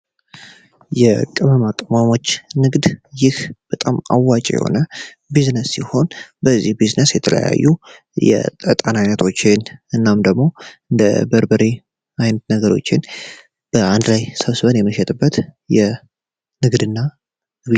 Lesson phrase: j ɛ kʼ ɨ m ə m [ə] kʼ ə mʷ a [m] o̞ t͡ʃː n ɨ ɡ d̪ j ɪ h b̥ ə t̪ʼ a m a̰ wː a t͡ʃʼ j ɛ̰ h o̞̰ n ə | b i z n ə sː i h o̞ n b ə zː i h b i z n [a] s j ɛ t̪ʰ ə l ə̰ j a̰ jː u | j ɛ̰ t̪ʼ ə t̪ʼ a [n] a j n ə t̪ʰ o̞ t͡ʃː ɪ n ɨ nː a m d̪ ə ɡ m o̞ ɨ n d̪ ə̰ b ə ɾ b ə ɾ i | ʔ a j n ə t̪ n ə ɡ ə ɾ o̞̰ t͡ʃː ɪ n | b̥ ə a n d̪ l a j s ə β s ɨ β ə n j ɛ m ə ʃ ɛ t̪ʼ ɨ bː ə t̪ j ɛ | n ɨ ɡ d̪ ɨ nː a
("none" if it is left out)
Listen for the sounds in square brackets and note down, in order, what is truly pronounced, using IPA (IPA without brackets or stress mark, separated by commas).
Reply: a, m, ə, n